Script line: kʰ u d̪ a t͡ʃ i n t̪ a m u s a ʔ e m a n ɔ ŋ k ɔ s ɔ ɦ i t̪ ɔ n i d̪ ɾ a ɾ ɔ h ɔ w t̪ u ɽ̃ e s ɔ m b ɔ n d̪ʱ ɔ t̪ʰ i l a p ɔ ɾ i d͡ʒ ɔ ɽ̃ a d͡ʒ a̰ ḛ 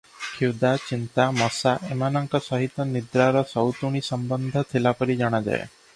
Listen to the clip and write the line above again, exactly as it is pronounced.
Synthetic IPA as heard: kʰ u d̪ a t͡ʃ i n t̪ a m ɔ s a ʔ e m a n ɔ ŋ k ɔ s ɔ ɦ i t̪ ɔ n i d̪ ɾ a ɾ ɔ s ɔ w t̪ u ɽ̃ i s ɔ m b ɔ n d̪ʱ ɔ t̪ʰ i l a p ɔ ɾ i d͡ʒ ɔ ɽ̃ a d͡ʒ a̰ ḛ